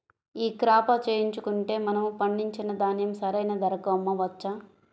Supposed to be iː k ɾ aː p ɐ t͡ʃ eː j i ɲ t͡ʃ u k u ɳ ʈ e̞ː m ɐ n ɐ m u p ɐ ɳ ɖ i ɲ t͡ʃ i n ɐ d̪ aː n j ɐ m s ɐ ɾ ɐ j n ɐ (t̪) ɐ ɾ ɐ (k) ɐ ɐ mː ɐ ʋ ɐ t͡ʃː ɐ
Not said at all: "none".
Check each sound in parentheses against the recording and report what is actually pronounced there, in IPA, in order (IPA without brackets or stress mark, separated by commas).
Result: d̪, k